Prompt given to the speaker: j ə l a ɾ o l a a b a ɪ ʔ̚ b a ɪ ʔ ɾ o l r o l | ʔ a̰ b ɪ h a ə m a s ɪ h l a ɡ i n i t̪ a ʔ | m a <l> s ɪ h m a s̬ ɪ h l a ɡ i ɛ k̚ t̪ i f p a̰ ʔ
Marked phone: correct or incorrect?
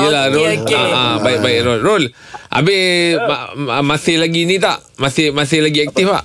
incorrect